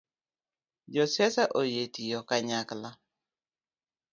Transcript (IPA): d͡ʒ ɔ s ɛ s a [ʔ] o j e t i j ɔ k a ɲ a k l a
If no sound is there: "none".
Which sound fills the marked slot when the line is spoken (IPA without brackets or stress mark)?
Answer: ʔ